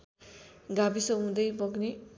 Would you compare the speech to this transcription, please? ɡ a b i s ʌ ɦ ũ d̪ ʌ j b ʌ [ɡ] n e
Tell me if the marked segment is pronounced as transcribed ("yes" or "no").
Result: yes